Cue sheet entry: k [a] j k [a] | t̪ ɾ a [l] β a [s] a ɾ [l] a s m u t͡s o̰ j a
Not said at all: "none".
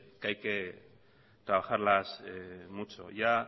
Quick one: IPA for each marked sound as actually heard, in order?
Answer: a, e, none, x, l

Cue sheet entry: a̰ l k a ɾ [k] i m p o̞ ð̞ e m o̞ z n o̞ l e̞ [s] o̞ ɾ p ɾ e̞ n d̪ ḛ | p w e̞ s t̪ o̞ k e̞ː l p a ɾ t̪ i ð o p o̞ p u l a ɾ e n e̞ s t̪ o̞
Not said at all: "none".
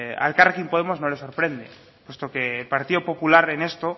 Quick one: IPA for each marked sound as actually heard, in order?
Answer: k, s

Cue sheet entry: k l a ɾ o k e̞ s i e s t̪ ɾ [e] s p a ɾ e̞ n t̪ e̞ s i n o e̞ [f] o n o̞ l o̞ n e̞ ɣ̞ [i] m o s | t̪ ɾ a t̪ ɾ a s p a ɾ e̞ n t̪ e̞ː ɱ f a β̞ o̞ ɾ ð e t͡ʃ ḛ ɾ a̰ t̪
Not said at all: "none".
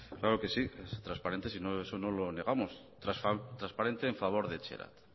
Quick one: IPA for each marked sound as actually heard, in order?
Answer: a, s, a

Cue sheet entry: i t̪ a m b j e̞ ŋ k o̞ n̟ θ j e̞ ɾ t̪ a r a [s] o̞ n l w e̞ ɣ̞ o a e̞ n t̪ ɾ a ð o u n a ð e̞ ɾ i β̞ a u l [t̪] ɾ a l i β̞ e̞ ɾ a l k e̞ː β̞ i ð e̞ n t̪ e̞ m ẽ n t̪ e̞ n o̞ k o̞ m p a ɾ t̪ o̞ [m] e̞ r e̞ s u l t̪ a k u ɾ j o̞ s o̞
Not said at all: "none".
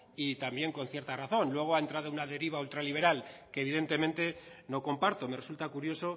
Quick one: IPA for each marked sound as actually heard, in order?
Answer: θ, t̪, m

